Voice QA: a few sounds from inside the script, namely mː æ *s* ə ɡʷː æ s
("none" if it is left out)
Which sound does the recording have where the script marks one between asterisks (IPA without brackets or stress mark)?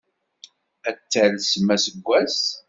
s